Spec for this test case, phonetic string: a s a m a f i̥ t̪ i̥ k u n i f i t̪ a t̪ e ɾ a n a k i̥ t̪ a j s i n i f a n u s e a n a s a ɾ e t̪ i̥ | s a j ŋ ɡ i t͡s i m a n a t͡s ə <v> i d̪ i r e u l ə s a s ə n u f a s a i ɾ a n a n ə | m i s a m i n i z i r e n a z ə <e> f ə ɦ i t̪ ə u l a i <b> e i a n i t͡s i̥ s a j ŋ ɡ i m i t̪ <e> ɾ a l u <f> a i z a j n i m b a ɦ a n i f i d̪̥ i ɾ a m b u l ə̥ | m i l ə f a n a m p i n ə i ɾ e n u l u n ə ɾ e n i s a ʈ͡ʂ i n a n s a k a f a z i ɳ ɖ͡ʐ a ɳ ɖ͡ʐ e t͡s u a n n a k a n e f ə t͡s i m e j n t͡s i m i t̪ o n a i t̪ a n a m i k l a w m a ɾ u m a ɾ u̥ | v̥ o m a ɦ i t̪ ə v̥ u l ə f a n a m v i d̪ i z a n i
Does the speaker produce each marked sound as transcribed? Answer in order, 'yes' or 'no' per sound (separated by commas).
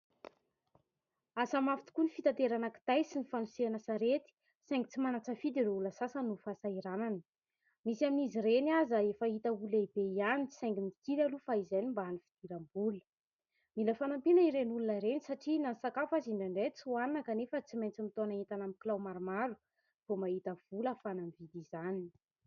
no, yes, yes, no, yes